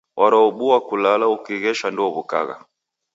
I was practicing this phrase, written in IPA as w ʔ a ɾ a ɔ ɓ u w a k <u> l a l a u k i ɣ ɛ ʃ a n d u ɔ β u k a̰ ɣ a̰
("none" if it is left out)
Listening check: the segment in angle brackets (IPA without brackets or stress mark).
u